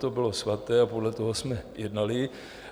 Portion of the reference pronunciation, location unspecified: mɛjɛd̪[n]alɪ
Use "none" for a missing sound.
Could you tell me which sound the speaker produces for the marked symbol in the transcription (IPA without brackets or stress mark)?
n